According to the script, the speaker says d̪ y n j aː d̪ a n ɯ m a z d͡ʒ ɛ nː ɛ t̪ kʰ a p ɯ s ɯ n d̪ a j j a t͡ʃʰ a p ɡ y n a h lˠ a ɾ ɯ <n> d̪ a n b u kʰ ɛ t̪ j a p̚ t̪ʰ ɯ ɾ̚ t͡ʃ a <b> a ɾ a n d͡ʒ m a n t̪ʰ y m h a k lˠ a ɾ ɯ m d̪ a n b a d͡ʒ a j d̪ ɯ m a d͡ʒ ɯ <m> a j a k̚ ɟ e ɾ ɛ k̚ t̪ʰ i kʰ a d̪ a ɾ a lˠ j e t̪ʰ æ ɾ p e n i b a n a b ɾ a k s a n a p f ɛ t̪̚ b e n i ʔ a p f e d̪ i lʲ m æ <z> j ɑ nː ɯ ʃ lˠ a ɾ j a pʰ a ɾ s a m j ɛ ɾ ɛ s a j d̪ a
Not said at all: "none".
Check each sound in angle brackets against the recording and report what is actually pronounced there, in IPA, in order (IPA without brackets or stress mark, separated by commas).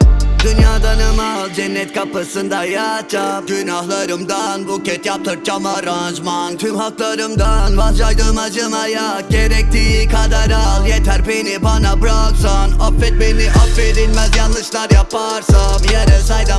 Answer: m, m, m, z